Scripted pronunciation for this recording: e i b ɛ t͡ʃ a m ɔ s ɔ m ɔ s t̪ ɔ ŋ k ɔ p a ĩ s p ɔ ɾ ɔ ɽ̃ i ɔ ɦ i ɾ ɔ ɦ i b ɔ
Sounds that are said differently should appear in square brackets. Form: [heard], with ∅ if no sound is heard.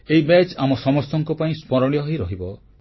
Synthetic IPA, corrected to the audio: e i b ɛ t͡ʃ a m ɔ s ɔ m ɔ s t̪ ɔ ŋ k ɔ p a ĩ s p ɔ ɾ ɔ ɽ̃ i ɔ ɦ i ɾ ɔ ɦ i b ɔ